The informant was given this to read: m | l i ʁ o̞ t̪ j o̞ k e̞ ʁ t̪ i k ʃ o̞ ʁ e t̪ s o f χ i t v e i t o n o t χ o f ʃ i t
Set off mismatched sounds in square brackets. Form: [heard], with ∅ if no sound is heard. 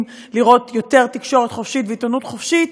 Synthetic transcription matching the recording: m | l i ʁ o̞ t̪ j o̞ [t] e̞ ʁ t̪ i k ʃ o̞ ʁ e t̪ [χ] o f [ʃ] i t v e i t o n [u] t χ o f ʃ i t